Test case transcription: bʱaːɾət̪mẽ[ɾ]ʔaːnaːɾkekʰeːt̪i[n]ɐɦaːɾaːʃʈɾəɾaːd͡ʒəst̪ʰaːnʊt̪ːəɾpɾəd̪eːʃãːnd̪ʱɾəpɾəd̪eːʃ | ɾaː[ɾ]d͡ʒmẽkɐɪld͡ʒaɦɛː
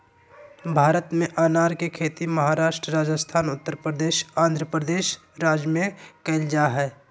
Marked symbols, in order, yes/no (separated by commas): no, no, no